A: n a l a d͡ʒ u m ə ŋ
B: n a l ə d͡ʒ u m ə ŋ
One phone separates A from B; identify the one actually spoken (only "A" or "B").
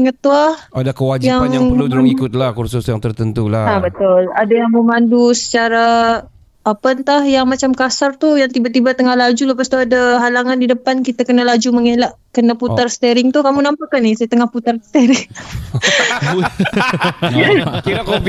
A